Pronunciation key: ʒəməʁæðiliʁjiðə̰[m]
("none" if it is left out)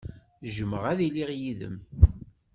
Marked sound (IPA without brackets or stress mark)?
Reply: m